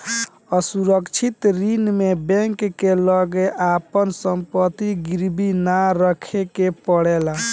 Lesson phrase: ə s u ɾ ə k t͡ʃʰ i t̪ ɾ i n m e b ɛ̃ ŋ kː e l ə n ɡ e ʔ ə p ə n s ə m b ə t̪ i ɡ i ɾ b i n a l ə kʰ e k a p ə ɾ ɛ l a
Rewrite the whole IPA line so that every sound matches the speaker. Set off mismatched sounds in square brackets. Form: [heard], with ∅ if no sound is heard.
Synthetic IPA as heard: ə s u ɾ ə k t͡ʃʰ i t̪ ɾ i n m e b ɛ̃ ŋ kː e l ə [∅] ɡ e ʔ [a] p ə n s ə m [p] ə t̪ i ɡ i ɾ b i n a [ɾ] ə kʰ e k [e] p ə [ɽ] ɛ l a